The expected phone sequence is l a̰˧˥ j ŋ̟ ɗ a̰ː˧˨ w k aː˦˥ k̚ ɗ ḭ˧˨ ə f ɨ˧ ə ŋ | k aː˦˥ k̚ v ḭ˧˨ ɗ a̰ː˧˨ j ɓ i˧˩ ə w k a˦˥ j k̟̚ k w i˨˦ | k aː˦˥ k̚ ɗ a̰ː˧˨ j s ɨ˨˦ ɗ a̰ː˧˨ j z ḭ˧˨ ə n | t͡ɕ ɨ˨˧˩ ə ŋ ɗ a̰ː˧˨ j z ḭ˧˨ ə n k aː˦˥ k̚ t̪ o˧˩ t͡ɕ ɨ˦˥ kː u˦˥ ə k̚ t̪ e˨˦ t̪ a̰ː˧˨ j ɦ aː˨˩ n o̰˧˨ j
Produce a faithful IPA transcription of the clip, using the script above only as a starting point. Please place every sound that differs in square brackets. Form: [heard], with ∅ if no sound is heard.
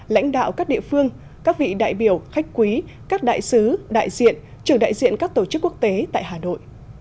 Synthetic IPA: l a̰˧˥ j ŋ̟ ɗ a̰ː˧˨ w k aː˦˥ k̚ ɗ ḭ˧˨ ə f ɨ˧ ə ŋ | k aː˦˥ k̚ v ḭ˧˨ ɗ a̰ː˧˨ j ɓ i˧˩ ə w [x] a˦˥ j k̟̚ k w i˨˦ | k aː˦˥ k̚ ɗ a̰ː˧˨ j s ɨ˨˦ ɗ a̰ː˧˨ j z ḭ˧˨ ə n | t͡ɕ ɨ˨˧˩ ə ŋ ɗ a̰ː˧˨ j z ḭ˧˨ ə n k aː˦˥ k̚ t̪ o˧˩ t͡ɕ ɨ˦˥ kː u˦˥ ə k̚ t̪ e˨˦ t̪ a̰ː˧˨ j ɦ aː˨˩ n o̰˧˨ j